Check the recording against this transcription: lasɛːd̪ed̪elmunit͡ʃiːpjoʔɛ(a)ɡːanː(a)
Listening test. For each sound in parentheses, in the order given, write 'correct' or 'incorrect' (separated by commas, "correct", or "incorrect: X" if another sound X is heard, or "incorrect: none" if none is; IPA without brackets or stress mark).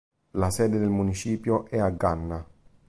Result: correct, correct